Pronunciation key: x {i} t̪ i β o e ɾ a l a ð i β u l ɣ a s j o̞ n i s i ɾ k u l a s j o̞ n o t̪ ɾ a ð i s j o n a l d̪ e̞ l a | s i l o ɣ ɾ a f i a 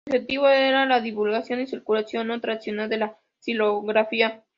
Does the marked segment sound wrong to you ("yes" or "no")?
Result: yes